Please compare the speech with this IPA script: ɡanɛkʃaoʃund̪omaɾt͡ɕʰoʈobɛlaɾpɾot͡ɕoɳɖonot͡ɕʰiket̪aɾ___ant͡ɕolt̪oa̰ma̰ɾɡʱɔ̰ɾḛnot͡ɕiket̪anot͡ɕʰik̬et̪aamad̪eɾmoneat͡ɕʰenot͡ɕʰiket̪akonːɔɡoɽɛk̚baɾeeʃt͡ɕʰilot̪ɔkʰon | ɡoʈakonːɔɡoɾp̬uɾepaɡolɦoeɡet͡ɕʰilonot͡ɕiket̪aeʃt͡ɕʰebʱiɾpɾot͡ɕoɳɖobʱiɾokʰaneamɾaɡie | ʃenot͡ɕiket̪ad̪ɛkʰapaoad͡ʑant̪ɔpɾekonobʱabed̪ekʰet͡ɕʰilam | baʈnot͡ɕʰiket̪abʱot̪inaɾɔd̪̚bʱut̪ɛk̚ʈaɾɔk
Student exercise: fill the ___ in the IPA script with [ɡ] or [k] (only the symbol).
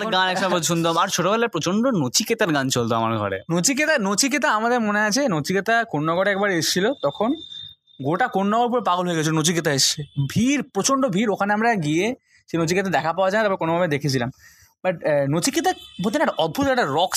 ɡ